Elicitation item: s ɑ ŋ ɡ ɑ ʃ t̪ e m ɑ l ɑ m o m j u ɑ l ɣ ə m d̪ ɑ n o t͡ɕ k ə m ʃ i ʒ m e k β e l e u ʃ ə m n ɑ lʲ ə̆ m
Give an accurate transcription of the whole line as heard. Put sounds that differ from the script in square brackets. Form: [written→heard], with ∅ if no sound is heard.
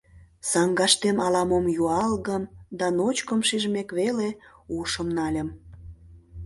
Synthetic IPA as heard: s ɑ ŋ ɡ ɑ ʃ t̪ e m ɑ l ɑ m o m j u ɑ l ɣ ə m d̪ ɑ n o t͡ɕ k ə m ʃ i ʒ m e k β e l e u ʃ ə m n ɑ lʲ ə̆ m